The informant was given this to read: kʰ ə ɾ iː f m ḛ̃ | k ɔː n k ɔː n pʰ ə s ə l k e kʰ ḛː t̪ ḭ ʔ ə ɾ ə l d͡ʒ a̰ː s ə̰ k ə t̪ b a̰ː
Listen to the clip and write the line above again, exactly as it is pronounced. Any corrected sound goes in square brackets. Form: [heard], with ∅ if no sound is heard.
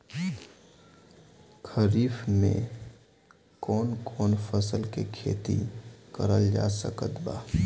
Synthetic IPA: kʰ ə ɾ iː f m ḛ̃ | k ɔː n k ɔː n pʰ ə s ə l k e kʰ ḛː t̪ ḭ [k] ə ɾ ə l d͡ʒ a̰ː s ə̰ k ə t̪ b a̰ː